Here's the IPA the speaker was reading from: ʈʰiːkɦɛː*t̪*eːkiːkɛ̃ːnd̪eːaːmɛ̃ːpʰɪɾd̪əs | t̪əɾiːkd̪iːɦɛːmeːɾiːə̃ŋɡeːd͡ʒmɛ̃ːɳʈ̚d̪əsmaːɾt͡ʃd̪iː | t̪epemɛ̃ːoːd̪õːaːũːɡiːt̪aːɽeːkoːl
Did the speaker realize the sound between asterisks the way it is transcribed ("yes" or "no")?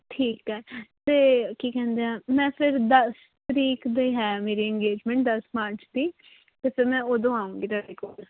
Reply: yes